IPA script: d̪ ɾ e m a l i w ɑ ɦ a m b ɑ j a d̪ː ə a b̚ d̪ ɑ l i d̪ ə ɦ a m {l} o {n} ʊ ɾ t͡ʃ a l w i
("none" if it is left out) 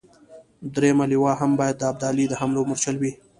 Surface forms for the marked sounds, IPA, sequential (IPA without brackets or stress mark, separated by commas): l, m